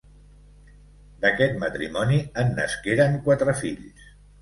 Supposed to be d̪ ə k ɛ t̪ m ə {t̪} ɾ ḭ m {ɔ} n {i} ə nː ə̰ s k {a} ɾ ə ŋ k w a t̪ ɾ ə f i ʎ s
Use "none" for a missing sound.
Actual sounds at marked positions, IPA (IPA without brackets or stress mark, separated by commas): t̪, ɔ, i, e